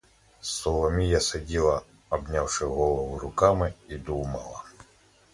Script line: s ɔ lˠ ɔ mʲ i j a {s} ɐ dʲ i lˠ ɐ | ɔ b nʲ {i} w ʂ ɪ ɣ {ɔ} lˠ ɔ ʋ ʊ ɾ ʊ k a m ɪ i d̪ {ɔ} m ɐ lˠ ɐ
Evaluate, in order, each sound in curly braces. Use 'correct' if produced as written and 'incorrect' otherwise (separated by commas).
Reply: correct, incorrect, correct, incorrect